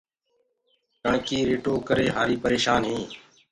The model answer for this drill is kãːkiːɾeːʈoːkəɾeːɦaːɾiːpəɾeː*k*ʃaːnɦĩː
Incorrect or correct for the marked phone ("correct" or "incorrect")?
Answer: incorrect